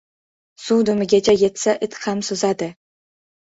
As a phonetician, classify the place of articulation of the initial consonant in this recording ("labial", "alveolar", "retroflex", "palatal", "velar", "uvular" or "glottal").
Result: alveolar